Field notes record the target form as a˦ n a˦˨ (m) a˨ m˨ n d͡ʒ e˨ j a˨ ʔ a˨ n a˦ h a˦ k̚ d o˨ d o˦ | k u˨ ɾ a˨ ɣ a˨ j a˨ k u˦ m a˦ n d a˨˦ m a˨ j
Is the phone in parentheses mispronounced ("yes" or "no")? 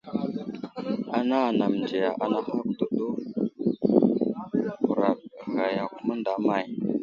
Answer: yes